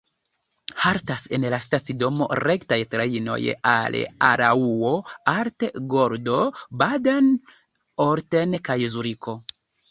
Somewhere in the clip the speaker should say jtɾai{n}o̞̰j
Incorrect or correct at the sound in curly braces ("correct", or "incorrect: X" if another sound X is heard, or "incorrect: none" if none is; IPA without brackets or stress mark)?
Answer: correct